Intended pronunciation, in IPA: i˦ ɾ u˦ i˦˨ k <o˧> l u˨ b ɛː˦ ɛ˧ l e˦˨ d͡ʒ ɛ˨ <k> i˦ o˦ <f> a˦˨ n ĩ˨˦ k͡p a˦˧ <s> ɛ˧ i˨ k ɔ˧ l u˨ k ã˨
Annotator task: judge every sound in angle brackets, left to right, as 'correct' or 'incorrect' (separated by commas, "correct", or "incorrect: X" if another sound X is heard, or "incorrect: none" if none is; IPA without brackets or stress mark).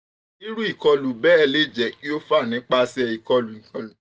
incorrect: ɔ˧, correct, correct, correct